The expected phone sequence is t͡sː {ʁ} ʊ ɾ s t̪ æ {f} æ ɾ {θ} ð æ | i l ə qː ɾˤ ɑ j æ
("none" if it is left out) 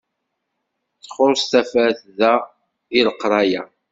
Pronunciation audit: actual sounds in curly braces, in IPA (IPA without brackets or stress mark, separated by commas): χ, f, θ